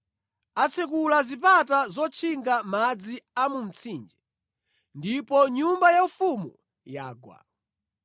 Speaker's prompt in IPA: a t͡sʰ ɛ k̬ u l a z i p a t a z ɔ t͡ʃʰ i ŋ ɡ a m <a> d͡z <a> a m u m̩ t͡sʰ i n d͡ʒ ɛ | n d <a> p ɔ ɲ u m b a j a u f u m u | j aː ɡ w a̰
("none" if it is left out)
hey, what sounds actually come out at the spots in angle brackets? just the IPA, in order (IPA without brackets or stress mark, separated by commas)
a, i, i